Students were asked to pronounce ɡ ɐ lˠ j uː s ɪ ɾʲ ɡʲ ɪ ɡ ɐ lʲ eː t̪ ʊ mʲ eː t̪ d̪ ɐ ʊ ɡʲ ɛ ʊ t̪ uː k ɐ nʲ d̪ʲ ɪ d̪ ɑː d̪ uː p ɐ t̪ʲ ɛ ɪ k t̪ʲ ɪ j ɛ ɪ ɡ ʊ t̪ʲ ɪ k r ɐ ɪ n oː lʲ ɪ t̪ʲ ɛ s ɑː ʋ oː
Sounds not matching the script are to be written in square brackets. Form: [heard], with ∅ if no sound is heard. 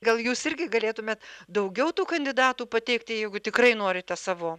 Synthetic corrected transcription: ɡ ɐ lˠ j uː s ɪ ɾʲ ɡʲ ɪ ɡ ɐ lʲ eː t̪ ʊ mʲ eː t̪ d̪ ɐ ʊ ɡʲ ɛ ʊ t̪ uː k ɐ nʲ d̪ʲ ɪ d̪ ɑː [t̪] uː p ɐ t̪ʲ ɛ ɪ k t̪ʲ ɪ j ɛ ɪ ɡ ʊ t̪ʲ ɪ k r ɐ ɪ n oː [ɾʲ] ɪ t̪ʲ ɛ s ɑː ʋ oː